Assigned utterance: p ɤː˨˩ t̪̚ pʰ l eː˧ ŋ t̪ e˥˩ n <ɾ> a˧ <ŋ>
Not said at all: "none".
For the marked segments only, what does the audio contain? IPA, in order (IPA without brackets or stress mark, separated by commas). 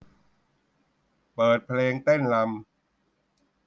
l, m